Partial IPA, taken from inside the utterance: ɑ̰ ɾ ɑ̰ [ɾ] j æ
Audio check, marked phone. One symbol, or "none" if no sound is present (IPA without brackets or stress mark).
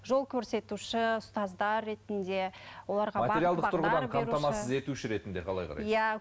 none